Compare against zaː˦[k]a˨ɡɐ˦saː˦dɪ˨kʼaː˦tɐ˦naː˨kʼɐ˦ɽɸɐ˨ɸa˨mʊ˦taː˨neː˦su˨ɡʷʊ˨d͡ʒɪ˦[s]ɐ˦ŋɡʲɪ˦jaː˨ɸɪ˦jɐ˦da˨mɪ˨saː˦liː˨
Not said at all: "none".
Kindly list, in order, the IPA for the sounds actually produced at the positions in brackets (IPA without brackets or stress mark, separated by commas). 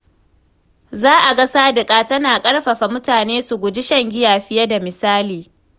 ʔ, ʃ